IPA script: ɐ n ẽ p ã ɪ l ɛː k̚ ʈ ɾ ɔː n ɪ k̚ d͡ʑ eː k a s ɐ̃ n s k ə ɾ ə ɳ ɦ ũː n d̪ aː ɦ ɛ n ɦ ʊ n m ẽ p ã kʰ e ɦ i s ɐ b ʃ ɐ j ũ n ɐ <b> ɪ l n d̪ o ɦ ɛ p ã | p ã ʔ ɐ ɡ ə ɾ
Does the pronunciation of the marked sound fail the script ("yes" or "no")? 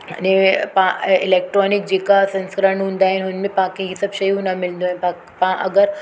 yes